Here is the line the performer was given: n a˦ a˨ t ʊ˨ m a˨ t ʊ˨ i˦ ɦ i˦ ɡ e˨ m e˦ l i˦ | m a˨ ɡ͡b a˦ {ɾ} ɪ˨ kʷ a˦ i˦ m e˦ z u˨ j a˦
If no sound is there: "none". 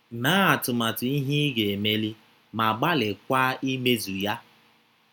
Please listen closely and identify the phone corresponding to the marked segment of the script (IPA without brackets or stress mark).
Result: l